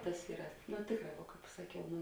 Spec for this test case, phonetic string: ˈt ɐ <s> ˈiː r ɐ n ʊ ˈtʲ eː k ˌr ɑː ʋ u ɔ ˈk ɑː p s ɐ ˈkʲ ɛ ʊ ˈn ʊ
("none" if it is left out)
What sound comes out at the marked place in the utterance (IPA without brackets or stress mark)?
s